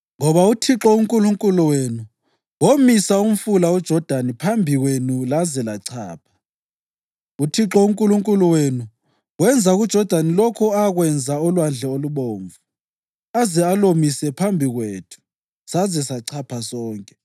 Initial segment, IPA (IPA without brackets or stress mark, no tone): ŋ